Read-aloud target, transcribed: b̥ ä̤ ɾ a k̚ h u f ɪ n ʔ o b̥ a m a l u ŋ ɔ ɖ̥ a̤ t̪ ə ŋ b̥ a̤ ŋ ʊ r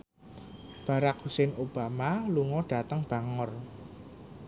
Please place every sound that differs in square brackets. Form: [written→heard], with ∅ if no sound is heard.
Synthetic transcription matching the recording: b̥ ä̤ ɾ a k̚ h u [f→s] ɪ n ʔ o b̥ a m a l u ŋ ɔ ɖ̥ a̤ t̪ ə ŋ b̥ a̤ ŋ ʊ r